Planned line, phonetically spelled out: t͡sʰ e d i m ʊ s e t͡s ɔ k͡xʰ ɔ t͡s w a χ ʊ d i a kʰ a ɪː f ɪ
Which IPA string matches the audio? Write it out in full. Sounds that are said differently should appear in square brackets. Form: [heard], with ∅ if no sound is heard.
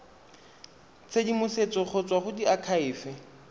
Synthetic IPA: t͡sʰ e d i m ʊ s e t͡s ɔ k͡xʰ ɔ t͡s w a χ ʊ d i a kʰ a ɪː f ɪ